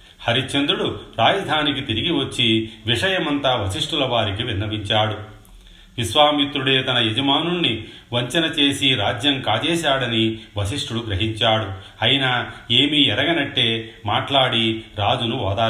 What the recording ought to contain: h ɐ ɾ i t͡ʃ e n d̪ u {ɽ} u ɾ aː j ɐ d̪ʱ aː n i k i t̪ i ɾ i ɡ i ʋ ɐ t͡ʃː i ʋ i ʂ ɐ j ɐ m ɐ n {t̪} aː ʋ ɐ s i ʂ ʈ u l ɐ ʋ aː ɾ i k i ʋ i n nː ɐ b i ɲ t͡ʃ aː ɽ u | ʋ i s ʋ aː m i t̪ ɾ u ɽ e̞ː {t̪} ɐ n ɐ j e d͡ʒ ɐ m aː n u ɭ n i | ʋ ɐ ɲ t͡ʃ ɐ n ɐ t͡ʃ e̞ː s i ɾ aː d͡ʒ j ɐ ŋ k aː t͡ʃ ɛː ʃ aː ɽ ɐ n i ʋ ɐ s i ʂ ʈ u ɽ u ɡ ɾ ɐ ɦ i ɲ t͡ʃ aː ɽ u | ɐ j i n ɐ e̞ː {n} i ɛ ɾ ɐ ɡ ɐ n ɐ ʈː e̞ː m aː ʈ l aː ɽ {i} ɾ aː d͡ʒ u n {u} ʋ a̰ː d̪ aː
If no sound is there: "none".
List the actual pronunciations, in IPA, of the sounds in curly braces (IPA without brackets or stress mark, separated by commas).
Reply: ɽ, t̪, t̪, m, i, u